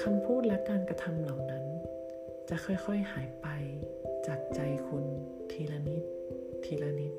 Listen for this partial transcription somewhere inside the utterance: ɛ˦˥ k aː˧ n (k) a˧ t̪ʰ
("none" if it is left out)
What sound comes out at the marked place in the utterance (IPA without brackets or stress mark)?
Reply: k